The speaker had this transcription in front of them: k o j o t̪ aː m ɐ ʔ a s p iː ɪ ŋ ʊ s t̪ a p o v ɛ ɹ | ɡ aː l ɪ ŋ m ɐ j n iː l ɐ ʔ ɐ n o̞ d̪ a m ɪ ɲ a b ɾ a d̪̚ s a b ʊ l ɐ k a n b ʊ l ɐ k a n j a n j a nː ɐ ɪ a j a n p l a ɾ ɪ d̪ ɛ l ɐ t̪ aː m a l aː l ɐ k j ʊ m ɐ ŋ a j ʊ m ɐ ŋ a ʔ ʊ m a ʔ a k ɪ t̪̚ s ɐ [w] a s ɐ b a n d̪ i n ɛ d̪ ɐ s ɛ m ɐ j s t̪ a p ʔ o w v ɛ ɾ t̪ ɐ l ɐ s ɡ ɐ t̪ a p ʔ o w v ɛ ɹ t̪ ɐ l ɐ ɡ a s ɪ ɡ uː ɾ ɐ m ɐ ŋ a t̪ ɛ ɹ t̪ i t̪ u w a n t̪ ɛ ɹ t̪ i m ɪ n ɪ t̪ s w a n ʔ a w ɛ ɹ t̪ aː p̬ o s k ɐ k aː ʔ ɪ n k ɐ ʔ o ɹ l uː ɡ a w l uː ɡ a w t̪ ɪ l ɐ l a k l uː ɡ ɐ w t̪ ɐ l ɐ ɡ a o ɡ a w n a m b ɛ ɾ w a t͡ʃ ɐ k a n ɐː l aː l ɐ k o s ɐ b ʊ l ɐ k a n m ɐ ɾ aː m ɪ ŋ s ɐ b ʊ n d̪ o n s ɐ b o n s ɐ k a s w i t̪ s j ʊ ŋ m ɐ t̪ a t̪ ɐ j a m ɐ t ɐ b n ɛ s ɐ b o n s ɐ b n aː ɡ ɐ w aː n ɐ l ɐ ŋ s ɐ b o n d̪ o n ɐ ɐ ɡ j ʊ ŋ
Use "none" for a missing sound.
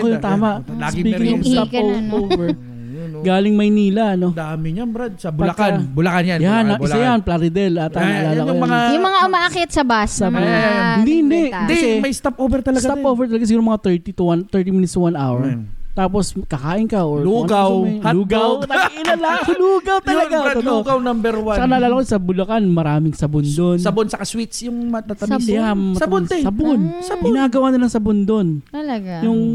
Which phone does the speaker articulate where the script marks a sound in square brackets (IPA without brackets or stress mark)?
b